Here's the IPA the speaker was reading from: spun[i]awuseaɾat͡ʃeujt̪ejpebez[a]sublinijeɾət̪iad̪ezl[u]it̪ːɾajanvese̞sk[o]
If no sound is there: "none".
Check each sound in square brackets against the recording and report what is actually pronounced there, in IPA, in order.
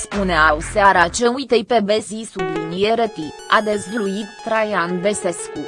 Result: e, i, u, u

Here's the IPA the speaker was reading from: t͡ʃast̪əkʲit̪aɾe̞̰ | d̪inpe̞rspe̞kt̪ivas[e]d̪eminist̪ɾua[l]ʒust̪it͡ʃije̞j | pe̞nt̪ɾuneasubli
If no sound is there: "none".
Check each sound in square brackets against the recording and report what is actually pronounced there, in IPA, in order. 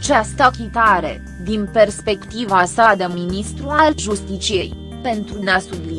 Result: a, l

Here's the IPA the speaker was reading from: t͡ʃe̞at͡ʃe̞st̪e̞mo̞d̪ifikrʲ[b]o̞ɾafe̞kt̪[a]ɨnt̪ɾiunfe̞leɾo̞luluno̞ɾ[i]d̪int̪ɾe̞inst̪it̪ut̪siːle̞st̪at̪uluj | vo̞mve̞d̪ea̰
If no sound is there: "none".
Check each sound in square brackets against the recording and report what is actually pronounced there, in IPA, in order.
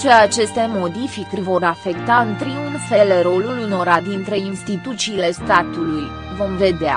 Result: v, a, a

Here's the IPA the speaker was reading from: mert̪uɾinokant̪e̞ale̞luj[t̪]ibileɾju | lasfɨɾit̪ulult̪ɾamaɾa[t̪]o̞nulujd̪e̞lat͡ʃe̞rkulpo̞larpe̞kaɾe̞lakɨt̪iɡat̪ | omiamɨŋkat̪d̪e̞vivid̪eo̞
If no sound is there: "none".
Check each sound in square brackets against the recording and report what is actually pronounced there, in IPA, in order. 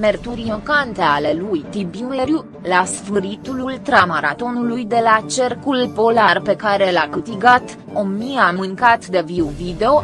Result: t̪, t̪

